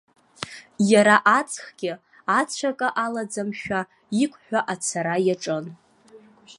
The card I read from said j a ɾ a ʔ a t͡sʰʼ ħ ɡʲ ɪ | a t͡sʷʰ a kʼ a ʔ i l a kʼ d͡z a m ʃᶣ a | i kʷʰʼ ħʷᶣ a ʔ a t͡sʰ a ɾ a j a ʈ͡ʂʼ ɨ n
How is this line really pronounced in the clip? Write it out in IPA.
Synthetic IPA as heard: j a ɾ a ʔ a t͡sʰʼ χ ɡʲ ɪ | a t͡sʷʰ a kʼ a ʔ a l a d͡z a m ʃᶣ a | i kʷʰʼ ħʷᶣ a ʔ a t͡sʰ a ɾ a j a ʈ͡ʂʼ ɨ n